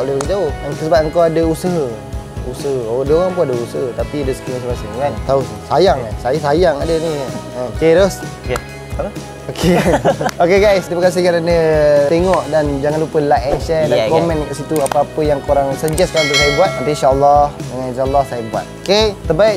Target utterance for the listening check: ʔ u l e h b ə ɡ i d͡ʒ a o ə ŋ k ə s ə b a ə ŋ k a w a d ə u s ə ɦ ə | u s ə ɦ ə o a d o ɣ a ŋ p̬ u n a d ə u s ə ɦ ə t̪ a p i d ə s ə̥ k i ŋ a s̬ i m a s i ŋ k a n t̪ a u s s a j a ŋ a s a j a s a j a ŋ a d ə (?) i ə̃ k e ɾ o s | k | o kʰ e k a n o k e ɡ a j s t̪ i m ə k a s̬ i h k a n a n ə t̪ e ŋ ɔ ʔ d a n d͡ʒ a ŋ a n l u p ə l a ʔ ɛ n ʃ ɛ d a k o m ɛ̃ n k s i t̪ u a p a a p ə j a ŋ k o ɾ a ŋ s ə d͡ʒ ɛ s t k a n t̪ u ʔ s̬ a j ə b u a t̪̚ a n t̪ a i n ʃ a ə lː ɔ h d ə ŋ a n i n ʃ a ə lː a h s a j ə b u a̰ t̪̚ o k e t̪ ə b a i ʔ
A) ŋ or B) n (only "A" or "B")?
B